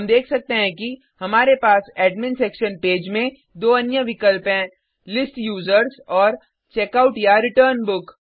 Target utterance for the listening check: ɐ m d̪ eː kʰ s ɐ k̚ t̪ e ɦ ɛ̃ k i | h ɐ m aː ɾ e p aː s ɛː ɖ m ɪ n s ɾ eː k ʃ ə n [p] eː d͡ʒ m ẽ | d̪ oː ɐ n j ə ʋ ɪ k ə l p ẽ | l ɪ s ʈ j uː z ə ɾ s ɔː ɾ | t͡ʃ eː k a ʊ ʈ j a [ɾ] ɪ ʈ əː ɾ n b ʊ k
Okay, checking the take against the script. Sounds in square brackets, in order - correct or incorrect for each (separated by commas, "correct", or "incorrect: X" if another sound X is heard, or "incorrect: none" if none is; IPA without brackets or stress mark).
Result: correct, correct